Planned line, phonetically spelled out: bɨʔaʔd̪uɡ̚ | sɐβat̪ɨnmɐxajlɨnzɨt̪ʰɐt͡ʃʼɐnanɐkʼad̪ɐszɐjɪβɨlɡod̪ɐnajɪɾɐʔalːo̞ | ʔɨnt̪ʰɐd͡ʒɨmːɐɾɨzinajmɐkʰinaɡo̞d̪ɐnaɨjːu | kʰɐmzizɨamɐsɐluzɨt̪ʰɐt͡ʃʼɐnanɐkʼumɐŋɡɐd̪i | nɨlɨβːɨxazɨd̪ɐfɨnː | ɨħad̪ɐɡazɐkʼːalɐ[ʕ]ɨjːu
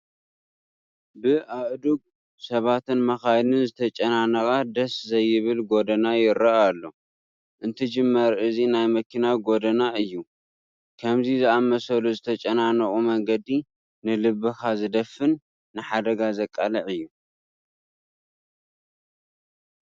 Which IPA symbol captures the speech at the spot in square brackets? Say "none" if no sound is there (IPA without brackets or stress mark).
ʕ